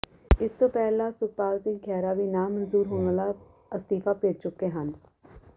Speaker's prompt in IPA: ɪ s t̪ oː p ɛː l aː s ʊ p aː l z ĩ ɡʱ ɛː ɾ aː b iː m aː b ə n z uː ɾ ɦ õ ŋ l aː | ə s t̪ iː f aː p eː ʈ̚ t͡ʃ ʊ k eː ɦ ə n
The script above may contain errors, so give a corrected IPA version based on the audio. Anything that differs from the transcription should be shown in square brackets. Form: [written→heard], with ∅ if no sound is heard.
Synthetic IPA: ɪ s t̪ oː p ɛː l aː s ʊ p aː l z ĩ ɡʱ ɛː ɾ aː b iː [m→n] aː [b→m] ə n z uː ɾ ɦ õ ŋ l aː | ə s t̪ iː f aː p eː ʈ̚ t͡ʃ ʊ k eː ɦ ə n